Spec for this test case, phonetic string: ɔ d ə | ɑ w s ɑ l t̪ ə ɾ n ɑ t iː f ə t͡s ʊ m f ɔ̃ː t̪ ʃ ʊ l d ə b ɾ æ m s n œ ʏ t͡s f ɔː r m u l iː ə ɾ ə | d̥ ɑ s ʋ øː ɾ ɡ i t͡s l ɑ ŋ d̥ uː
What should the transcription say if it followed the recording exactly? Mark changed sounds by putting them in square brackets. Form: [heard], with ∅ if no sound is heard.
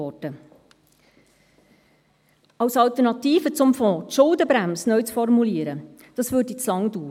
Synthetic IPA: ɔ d ə | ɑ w s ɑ l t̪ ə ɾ n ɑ t iː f ə t͡s ʊ m f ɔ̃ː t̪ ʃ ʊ l d ə b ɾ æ m s n œ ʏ t͡s f [ɔ] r m u l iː ə ɾ ə | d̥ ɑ s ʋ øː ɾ [d] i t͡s l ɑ ŋ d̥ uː